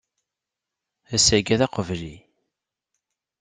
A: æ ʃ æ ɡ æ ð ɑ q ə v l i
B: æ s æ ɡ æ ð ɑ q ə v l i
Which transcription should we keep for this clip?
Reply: B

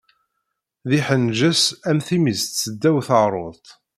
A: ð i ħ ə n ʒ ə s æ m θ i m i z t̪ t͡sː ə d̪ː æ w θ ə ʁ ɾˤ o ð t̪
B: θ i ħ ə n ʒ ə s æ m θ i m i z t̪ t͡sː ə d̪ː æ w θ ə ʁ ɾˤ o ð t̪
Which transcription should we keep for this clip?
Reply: A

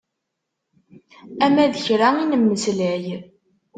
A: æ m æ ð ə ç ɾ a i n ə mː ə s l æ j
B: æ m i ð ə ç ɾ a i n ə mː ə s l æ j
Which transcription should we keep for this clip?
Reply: A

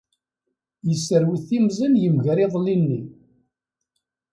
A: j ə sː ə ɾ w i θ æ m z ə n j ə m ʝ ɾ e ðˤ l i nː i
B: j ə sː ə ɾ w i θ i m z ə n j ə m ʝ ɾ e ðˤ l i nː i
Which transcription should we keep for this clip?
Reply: B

